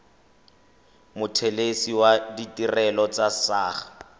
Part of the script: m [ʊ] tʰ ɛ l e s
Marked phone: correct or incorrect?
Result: correct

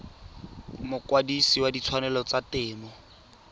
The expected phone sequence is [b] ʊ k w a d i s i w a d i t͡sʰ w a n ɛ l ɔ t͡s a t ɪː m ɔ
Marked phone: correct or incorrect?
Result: incorrect: m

